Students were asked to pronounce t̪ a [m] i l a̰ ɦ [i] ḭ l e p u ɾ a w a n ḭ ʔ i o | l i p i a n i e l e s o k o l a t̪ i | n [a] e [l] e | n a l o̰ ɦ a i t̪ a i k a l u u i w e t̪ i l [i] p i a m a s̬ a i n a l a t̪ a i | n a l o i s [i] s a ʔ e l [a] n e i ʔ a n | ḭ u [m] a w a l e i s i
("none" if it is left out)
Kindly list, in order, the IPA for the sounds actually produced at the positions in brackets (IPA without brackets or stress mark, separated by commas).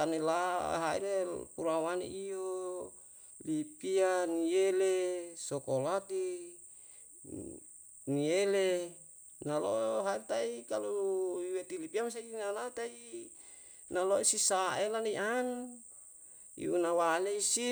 n, a, i, l, i, i, a, n